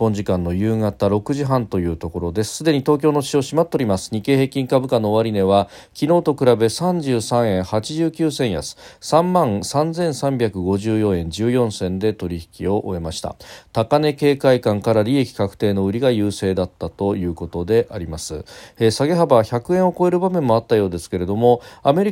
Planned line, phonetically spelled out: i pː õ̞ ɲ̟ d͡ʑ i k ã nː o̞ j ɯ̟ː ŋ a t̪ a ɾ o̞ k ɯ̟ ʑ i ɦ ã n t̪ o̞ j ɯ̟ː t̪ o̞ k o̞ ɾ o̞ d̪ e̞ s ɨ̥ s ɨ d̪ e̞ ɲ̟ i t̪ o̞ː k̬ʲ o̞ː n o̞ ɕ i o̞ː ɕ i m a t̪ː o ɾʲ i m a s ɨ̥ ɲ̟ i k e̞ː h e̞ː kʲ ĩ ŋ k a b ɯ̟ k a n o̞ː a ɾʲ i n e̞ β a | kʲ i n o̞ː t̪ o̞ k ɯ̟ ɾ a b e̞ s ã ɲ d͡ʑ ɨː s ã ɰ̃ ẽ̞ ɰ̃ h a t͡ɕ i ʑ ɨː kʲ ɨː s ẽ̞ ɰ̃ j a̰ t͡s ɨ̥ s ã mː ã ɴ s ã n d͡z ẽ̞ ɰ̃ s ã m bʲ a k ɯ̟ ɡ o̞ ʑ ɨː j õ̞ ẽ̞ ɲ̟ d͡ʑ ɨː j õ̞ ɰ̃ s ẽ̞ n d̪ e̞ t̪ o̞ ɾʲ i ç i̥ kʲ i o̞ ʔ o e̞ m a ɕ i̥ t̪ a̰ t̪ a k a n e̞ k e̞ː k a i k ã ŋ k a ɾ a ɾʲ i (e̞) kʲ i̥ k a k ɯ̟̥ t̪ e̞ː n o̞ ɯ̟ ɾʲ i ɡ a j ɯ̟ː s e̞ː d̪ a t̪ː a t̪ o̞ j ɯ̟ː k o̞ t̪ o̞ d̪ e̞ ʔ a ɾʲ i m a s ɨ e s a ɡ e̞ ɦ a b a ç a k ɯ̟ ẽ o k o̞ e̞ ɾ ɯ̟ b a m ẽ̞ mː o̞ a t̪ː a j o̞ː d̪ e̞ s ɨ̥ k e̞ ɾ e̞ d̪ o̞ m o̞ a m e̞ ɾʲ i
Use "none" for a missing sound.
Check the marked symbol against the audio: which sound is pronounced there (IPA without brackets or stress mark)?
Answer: e̞